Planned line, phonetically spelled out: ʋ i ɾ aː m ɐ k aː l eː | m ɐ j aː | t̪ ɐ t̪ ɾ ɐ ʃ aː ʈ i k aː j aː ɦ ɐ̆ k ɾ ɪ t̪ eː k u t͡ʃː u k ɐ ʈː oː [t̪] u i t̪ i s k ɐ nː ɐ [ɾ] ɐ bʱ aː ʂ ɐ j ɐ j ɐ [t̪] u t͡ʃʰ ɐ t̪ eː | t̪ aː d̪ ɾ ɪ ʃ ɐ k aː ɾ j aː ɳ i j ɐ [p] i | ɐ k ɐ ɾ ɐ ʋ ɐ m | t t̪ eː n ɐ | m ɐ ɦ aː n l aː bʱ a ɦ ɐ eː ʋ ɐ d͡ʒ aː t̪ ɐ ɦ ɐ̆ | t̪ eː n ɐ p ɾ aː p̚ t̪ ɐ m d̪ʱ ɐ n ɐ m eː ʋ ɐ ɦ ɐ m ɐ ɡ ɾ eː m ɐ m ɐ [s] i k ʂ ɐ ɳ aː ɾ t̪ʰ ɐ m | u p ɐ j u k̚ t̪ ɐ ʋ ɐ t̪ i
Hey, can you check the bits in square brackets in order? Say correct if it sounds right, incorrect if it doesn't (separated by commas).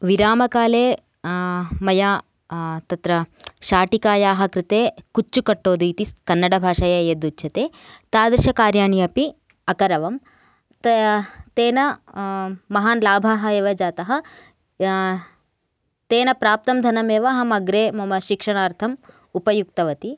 incorrect, incorrect, incorrect, correct, incorrect